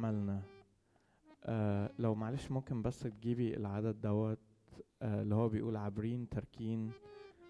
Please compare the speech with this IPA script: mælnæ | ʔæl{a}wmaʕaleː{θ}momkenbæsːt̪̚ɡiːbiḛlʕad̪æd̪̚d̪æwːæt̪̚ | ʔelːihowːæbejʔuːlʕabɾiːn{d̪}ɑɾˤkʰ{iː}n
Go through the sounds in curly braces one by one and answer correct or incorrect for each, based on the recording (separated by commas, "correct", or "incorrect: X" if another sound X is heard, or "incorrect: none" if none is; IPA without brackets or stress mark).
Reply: incorrect: æ, incorrect: ʃ, incorrect: t̪, correct